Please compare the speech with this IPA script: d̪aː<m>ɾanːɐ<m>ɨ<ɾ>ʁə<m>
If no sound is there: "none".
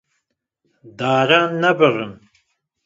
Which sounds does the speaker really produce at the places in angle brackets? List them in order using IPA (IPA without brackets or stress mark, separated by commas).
none, b, none, m